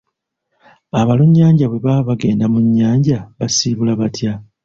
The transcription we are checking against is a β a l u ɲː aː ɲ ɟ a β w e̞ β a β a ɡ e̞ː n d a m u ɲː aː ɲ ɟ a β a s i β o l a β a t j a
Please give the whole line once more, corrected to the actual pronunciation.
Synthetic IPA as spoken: a β a l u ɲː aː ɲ ɟ a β w e̞ β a β a ɡ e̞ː n d a m u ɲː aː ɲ ɟ a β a s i β u l a β a t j a